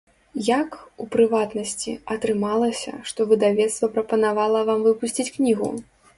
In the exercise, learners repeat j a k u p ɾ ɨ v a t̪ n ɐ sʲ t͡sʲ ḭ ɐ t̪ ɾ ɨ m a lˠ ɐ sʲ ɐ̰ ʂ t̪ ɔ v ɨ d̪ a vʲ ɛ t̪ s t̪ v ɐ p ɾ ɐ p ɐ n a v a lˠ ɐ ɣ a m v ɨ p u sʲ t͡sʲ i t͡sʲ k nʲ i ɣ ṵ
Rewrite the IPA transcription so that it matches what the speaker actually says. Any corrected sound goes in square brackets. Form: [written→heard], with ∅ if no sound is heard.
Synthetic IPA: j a k u p ɾ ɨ v a t̪ n ɐ sʲ t͡sʲ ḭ ɐ t̪ ɾ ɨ m a lˠ ɐ sʲ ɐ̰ ʂ t̪ ɔ v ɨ d̪ a vʲ ɛ t̪ s t̪ v ɐ p ɾ ɐ p ɐ n a v a lˠ ɐ [ɣ→v] a m v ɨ p u sʲ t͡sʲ i t͡sʲ k nʲ i ɣ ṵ